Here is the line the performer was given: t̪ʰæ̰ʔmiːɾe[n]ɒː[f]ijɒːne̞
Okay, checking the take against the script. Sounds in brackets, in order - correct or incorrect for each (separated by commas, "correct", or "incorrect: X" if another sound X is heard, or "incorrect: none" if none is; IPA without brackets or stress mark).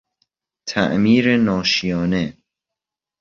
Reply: correct, incorrect: ʃ